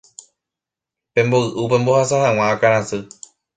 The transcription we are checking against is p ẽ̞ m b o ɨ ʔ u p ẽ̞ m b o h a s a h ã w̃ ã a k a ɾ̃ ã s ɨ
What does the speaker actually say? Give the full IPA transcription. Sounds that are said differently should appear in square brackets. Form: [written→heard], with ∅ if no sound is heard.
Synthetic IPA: p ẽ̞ m b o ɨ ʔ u p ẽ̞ m b o h a s a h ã w̃ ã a k a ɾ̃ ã s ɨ